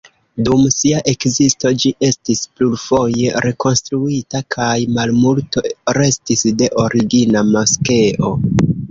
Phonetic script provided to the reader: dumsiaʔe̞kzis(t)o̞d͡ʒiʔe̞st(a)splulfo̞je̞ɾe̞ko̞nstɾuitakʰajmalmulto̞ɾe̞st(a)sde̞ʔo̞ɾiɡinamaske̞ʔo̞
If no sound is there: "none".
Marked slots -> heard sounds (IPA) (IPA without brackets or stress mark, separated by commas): t, i, i